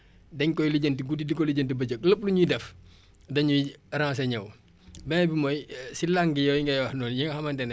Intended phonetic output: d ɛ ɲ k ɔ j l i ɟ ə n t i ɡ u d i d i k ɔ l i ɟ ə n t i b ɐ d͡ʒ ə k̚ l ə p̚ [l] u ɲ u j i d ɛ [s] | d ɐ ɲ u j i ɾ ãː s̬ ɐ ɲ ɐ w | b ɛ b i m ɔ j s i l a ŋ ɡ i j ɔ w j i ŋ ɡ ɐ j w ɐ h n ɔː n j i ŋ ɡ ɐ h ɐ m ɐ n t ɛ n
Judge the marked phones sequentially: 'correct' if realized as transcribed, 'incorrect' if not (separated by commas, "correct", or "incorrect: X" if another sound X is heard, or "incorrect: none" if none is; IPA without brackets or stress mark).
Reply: correct, incorrect: f